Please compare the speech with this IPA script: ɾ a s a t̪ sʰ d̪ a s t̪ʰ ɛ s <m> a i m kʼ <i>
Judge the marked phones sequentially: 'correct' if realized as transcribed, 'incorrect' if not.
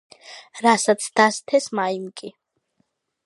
correct, correct

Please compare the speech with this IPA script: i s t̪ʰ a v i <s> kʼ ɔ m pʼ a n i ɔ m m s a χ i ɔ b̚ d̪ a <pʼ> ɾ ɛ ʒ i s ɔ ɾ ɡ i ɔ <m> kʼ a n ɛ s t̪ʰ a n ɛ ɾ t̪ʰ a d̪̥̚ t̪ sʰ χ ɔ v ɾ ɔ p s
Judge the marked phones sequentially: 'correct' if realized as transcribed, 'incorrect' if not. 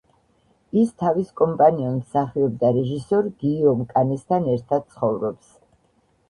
correct, incorrect: none, correct

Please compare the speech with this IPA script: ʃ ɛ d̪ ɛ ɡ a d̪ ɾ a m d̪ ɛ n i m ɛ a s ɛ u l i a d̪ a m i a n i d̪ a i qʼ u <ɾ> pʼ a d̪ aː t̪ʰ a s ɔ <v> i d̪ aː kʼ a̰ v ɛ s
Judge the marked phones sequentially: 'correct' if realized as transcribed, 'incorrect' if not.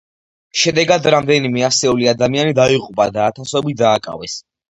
incorrect: none, incorrect: b

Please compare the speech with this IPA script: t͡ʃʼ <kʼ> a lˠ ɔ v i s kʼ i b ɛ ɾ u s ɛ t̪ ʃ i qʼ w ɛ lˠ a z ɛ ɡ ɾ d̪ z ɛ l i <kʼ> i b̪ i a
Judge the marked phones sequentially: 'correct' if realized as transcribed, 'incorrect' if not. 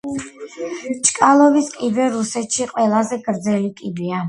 correct, correct

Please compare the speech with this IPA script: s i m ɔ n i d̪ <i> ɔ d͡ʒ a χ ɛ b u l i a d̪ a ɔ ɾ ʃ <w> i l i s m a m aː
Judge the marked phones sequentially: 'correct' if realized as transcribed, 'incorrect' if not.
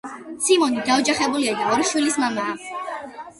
incorrect: a, correct

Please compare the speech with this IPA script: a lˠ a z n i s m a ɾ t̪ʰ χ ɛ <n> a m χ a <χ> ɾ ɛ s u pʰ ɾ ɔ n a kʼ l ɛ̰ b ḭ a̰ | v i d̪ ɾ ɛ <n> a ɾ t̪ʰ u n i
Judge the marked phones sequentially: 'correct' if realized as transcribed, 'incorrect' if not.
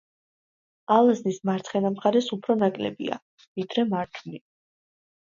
correct, incorrect: none, incorrect: m

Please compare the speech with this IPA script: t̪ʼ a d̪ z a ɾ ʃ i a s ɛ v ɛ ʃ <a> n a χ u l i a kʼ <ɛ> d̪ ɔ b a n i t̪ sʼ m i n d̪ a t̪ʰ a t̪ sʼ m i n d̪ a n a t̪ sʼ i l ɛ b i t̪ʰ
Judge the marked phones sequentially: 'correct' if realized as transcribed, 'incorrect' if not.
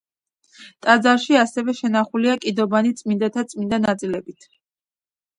incorrect: ɛ, incorrect: i

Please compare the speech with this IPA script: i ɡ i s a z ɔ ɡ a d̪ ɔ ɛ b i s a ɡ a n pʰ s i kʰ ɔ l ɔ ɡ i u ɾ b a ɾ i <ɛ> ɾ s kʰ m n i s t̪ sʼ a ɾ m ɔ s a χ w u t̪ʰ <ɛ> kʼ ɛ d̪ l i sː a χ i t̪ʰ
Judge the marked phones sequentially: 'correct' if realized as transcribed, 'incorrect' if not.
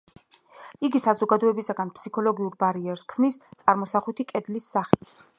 correct, incorrect: i

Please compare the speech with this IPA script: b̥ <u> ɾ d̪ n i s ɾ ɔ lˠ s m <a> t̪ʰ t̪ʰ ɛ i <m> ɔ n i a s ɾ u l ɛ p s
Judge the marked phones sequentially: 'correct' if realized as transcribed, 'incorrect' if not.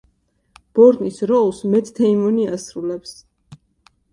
incorrect: ɔ, incorrect: ɛ, correct

